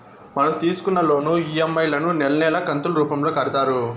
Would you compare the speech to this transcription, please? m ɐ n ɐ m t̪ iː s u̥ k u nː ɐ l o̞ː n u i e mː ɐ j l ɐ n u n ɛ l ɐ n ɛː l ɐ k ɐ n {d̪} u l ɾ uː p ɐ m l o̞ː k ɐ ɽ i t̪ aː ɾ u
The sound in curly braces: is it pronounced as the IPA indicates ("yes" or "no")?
no